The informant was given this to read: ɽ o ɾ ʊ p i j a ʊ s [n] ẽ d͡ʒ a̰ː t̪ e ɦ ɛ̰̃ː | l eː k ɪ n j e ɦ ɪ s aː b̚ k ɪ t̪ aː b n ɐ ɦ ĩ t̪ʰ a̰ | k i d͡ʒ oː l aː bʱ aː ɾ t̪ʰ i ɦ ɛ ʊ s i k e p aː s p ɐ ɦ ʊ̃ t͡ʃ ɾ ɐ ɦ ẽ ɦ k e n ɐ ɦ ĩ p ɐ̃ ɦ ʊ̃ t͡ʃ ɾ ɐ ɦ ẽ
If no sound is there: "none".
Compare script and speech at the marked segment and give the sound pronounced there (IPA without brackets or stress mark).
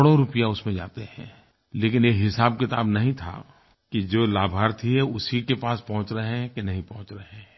m